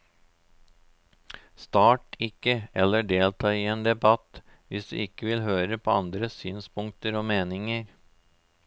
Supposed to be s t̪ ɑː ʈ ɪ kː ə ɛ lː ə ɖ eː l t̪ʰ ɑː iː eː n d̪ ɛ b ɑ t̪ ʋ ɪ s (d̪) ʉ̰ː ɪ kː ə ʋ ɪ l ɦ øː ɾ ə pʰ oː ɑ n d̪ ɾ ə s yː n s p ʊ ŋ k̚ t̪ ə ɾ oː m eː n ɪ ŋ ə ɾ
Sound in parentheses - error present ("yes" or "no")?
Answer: no